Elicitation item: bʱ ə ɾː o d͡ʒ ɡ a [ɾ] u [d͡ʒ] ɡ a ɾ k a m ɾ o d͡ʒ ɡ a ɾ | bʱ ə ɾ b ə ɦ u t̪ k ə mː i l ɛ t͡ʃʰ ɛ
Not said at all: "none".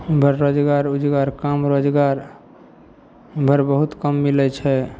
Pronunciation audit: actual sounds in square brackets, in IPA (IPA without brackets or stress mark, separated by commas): ɾ, d͡ʒ